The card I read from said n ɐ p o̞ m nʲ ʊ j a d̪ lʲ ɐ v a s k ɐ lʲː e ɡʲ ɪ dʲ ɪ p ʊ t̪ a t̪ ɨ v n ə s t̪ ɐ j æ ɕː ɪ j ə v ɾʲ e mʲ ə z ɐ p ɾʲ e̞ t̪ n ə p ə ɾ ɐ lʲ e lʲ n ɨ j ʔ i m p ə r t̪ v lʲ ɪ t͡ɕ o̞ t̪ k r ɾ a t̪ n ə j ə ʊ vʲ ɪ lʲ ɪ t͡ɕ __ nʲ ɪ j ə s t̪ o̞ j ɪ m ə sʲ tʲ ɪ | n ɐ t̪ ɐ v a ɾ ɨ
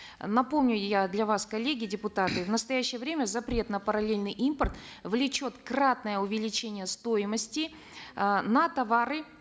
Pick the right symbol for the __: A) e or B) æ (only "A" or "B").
A